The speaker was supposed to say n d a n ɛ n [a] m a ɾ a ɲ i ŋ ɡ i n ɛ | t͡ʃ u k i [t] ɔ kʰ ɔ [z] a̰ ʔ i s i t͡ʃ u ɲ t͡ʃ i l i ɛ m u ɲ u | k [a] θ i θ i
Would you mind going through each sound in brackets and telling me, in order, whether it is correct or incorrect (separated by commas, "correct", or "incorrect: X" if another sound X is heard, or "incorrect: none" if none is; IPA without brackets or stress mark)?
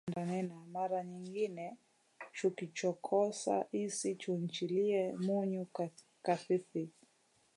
correct, incorrect: t͡ʃ, incorrect: s, correct